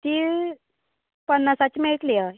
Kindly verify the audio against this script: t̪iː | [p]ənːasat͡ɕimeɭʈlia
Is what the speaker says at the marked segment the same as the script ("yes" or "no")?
yes